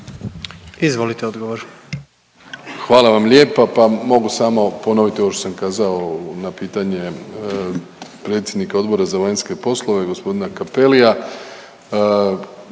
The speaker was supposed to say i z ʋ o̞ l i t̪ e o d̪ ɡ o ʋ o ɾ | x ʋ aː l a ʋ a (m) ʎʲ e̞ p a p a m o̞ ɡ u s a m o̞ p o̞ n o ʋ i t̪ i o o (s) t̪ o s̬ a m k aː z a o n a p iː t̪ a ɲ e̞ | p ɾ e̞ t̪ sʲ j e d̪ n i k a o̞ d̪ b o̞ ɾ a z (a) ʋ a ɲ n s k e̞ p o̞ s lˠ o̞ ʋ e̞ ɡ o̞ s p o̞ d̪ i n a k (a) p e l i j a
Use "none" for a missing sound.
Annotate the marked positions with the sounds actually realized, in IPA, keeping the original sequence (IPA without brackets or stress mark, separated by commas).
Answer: m, ʃ, a, a